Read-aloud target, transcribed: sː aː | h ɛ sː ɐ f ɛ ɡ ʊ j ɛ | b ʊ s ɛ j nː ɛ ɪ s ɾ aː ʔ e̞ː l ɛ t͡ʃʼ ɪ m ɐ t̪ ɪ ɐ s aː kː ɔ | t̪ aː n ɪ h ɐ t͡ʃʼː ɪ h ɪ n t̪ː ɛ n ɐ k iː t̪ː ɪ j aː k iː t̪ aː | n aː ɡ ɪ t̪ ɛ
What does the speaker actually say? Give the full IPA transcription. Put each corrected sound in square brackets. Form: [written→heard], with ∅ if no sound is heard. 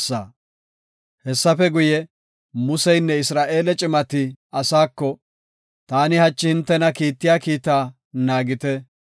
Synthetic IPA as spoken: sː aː | h ɛ sː ɐ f ɛ ɡ ʊ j ɛ | [b→m] ʊ s ɛ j nː ɛ ɪ s ɾ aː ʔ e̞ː l ɛ t͡ʃʼ ɪ m ɐ t̪ ɪ ɐ s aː kː ɔ | t̪ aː n ɪ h ɐ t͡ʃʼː ɪ h ɪ n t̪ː ɛ n ɐ k iː t̪ː ɪ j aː k iː t̪ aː | n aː ɡ ɪ t̪ ɛ

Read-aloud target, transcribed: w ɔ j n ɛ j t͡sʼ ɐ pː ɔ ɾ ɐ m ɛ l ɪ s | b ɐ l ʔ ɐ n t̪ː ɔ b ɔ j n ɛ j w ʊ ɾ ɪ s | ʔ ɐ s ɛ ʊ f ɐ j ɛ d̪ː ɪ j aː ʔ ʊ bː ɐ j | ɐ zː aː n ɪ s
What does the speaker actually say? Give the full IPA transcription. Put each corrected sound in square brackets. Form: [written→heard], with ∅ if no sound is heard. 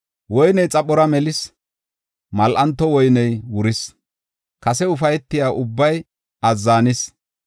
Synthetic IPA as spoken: w ɔ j n ɛ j t͡sʼ ɐ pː ɔ ɾ ɐ m ɛ l ɪ s | [b→m] ɐ l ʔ ɐ n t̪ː ɔ [b→w] ɔ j n ɛ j w ʊ ɾ ɪ s | [ʔ→k] ɐ s ɛ ʊ f ɐ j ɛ [d̪ː→t̪ː] ɪ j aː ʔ ʊ bː ɐ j | ɐ zː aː n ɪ s

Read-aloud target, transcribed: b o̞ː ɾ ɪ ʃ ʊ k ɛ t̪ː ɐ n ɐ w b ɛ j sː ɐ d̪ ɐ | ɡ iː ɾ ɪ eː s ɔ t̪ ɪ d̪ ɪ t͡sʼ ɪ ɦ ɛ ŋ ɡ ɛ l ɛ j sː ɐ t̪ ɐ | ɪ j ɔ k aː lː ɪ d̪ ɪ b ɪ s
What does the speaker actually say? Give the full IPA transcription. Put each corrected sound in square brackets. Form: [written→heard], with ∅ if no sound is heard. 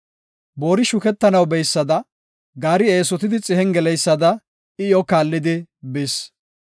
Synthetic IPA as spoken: b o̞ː ɾ ɪ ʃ ʊ k ɛ t̪ː ɐ n ɐ w b ɛ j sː ɐ d̪ ɐ | ɡ [iː→aː] ɾ ɪ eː s ɔ t̪ ɪ d̪ ɪ t͡sʼ ɪ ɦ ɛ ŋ ɡ ɛ l ɛ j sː ɐ [t̪→d̪] ɐ | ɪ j ɔ k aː lː ɪ d̪ ɪ b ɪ s

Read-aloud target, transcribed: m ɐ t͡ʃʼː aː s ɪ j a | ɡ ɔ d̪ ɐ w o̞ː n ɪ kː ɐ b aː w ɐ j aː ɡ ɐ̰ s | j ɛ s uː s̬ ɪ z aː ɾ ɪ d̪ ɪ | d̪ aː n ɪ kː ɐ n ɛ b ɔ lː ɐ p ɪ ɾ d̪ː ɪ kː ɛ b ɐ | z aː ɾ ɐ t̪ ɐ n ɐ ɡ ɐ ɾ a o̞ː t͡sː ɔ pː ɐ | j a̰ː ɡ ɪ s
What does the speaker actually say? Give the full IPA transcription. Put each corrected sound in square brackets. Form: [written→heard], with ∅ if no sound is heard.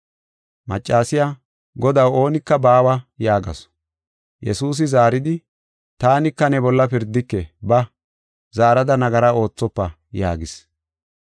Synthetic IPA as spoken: m ɐ t͡ʃʼː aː s ɪ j a | ɡ ɔ d̪ ɐ w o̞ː n ɪ kː ɐ b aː w ɐ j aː ɡ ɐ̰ s | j ɛ s uː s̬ ɪ z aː ɾ ɪ d̪ ɪ | [d̪→t̪] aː n ɪ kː ɐ n ɛ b ɔ lː ɐ p ɪ ɾ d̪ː ɪ kː ɛ b ɐ | z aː ɾ ɐ [t̪→d̪] ɐ n ɐ ɡ ɐ ɾ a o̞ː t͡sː ɔ pː ɐ | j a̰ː ɡ ɪ s

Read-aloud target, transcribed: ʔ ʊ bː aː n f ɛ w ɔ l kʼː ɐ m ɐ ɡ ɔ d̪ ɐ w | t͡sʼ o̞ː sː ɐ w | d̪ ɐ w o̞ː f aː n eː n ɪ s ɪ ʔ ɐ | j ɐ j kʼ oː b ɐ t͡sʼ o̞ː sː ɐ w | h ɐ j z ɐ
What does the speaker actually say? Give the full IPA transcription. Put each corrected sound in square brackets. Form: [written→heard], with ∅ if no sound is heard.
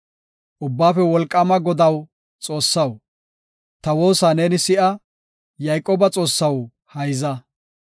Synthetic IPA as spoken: ʔ ʊ bː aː [n→∅] f ɛ w ɔ l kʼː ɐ m ɐ ɡ ɔ d̪ ɐ w | t͡sʼ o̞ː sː ɐ w | [d̪→t̪] ɐ w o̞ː [f→s] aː n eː n ɪ s ɪ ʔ ɐ | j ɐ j kʼ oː b ɐ t͡sʼ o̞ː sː ɐ w | h ɐ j z ɐ

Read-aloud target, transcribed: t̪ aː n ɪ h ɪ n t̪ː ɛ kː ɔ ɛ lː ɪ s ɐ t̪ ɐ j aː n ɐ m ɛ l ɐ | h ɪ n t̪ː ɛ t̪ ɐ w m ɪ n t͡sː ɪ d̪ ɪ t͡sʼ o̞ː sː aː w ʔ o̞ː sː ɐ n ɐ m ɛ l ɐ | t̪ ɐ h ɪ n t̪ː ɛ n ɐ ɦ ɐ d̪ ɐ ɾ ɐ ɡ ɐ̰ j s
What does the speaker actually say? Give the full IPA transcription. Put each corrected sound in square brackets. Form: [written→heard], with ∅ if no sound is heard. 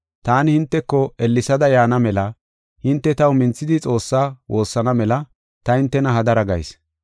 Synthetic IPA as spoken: t̪ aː n ɪ h ɪ n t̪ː ɛ kː ɔ ɛ lː ɪ s ɐ [t̪→d̪] ɐ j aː n ɐ m ɛ l ɐ | h ɪ n t̪ː ɛ t̪ ɐ w m ɪ n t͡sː ɪ d̪ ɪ t͡sʼ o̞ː sː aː w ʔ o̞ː sː ɐ n ɐ m ɛ l ɐ | t̪ ɐ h ɪ n t̪ː ɛ n ɐ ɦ ɐ d̪ ɐ ɾ ɐ ɡ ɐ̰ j s

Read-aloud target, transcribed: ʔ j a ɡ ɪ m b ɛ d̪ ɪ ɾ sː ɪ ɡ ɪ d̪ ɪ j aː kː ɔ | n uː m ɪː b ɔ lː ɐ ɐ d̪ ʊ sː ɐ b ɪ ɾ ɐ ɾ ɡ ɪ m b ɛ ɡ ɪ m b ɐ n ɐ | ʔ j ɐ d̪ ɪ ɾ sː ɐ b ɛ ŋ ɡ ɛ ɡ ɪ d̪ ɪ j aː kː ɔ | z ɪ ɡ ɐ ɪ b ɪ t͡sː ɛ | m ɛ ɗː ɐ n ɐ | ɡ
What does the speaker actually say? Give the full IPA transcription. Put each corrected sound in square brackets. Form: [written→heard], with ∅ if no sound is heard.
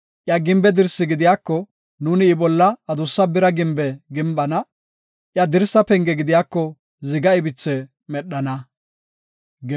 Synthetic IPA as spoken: ʔ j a ɡ ɪ m b ɛ d̪ ɪ ɾ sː ɪ ɡ ɪ d̪ ɪ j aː kː ɔ | n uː [m→n] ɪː b ɔ lː ɐ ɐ d̪ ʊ sː ɐ b ɪ ɾ ɐ [ɾ→∅] ɡ ɪ m b ɛ ɡ ɪ m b ɐ n ɐ | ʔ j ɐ d̪ ɪ ɾ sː ɐ [b→p] ɛ ŋ ɡ ɛ ɡ ɪ d̪ ɪ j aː kː ɔ | z ɪ ɡ ɐ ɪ b ɪ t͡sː ɛ | m ɛ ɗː ɐ n ɐ | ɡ

